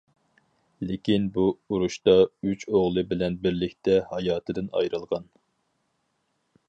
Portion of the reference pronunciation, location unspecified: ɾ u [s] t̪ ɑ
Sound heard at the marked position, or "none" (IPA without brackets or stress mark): ʃ